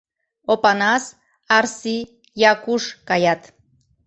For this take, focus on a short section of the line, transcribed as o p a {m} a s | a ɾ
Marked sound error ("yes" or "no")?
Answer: yes